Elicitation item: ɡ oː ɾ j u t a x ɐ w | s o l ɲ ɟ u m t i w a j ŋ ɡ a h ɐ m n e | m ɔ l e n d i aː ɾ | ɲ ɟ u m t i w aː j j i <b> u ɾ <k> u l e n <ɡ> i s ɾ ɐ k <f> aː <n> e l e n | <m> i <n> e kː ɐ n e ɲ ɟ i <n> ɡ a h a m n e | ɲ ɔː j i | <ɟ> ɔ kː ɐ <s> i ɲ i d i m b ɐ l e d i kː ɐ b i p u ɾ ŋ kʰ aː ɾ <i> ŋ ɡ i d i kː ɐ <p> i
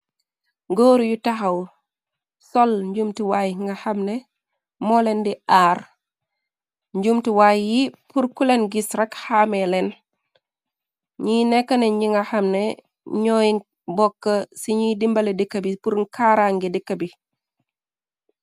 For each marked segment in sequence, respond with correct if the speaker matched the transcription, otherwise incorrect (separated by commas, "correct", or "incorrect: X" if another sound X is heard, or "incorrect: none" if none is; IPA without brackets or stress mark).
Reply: incorrect: p, correct, correct, incorrect: h, incorrect: m, incorrect: ɲ, correct, incorrect: ŋ, incorrect: b, correct, incorrect: a, incorrect: b